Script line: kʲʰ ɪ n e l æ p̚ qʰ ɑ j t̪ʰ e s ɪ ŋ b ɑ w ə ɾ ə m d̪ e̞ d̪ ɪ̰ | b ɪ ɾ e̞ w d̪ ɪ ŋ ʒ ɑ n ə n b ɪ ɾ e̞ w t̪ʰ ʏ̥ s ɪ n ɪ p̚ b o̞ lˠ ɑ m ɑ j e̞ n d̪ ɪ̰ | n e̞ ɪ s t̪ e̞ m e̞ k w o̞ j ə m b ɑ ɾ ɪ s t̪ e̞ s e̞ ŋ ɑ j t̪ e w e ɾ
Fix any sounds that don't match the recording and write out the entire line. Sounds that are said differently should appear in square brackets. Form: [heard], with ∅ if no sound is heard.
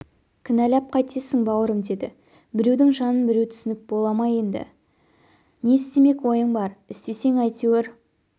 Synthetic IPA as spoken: kʲʰ ɪ n [æ] l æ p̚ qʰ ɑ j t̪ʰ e s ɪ ŋ b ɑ w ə ɾ ə m d̪ e̞ d̪ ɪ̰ | b ɪ ɾ e̞ w d̪ ɪ ŋ ʒ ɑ n ə n b ɪ ɾ e̞ w t̪ʰ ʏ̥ s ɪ n ɪ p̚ b o̞ lˠ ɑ m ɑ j e̞ n d̪ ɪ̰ | n e̞ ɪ s t̪ e̞ m e̞ k w o̞ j ə [ɴ] b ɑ ɾ ɪ s t̪ e̞ s e̞ ŋ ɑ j t̪ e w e ɾ